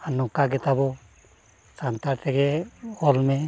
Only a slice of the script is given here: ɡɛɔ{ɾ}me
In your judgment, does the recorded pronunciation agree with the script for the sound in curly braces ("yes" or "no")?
no